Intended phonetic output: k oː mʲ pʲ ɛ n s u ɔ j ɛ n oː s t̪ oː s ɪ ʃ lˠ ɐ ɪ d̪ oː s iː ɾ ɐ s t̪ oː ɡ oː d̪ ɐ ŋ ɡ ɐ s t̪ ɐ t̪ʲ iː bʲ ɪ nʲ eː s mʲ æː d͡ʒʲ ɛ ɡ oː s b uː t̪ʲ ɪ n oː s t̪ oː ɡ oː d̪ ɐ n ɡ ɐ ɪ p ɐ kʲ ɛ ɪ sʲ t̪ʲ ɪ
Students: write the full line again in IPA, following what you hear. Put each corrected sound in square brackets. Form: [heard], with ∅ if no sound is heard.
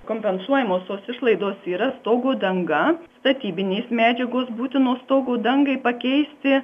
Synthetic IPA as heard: k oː mʲ pʲ ɛ n s u ɔ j ɛ [m] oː s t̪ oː s ɪ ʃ lˠ ɐ ɪ d̪ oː s iː ɾ ɐ s t̪ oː ɡ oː d̪ ɐ ŋ ɡ ɐ s t̪ ɐ t̪ʲ iː bʲ ɪ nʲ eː s mʲ æː d͡ʒʲ ɛ ɡ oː s b uː t̪ʲ ɪ n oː s t̪ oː ɡ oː d̪ ɐ [ŋ] ɡ ɐ ɪ p ɐ kʲ ɛ ɪ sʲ t̪ʲ ɪ